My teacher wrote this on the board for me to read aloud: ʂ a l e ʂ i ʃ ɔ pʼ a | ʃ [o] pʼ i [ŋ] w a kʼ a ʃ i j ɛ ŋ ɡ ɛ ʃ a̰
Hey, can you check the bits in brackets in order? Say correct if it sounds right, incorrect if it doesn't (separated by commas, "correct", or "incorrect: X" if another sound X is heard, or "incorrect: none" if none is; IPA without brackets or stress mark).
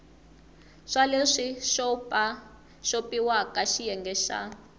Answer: correct, incorrect: none